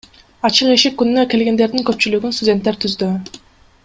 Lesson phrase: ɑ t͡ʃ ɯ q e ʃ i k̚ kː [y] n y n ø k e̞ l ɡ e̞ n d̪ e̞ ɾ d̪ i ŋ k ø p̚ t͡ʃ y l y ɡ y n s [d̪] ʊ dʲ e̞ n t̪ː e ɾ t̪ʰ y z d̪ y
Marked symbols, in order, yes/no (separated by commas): yes, no